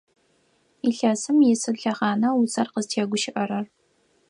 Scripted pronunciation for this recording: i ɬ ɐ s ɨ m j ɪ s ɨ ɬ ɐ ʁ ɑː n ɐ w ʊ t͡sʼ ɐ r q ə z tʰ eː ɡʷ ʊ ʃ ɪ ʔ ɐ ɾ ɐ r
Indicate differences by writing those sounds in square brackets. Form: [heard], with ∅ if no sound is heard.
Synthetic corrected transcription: i ɬ ɐ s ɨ m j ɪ s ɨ ɬ ɐ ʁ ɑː n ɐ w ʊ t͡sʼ ɐ r q ə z tʰ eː ɡʷ ʊ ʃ ɪ ʔ ɐ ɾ ɐ r